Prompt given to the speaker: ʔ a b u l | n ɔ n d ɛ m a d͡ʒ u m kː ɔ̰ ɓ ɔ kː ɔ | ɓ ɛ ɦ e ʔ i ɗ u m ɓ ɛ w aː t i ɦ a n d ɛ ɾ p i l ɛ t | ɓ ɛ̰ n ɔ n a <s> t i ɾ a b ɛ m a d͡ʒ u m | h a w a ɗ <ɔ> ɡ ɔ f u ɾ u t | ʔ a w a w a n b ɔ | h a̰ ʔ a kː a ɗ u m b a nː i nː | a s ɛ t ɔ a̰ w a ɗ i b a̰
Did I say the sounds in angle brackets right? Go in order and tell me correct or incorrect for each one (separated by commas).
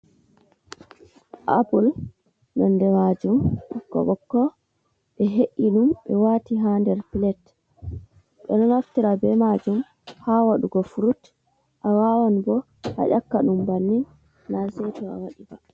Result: incorrect, incorrect